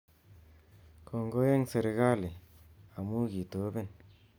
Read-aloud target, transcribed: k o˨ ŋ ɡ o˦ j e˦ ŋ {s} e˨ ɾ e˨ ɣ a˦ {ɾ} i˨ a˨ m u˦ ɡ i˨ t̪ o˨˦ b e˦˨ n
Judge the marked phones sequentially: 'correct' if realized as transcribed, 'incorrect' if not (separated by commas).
correct, incorrect